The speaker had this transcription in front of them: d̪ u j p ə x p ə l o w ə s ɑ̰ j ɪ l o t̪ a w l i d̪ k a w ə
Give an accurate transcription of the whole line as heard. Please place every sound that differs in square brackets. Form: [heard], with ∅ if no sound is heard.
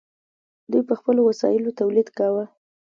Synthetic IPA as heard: d̪ u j p ə x p ə l o w [a] s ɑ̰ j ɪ l o t̪ a w l i d̪ k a w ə